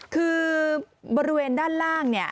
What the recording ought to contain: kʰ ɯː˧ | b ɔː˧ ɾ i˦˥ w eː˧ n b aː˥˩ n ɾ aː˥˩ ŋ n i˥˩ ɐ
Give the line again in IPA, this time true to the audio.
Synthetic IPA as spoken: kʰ ɯː˧ | b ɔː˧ ɾ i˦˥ w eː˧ n d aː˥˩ n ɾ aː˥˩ ŋ n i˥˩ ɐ